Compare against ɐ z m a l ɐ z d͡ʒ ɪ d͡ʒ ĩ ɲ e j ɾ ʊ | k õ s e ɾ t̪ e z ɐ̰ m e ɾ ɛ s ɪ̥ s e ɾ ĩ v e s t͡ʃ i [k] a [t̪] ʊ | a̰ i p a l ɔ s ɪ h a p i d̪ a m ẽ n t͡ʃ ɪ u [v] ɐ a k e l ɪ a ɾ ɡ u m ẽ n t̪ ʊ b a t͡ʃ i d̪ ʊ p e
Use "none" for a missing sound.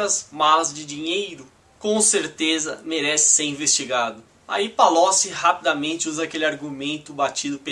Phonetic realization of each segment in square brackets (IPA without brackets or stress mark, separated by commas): ɡ, d̪, z